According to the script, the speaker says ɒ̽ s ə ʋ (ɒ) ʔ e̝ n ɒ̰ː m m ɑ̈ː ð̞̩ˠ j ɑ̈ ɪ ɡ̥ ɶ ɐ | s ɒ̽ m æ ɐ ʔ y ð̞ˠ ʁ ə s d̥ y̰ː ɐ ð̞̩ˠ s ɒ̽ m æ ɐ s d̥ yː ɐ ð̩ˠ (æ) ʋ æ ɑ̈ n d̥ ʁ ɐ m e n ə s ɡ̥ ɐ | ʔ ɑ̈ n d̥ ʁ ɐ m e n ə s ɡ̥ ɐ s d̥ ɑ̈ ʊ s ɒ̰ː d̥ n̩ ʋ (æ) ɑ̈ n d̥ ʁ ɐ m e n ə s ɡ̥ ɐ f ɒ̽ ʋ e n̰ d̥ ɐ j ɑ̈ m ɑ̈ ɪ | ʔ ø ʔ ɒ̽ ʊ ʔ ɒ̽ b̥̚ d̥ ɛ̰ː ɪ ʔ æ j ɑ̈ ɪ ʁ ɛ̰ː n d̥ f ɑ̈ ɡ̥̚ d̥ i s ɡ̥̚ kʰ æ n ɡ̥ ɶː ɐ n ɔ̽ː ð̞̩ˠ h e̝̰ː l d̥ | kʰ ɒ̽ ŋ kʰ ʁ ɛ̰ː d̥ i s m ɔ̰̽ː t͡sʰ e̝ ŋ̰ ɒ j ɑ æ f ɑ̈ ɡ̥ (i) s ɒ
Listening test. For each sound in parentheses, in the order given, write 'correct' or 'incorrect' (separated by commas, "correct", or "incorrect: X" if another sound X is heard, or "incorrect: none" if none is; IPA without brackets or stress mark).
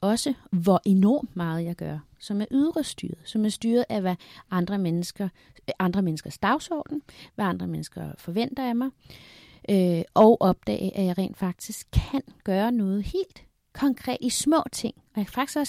correct, correct, correct, correct